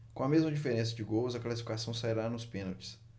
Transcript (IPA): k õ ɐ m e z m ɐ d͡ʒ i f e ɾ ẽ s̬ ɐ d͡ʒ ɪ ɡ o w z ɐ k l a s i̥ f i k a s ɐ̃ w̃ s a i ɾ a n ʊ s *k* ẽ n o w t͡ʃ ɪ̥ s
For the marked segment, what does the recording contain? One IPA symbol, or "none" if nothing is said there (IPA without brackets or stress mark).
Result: p